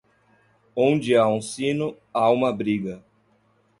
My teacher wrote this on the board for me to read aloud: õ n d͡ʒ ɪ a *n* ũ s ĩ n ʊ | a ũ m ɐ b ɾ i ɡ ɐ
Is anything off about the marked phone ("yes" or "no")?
yes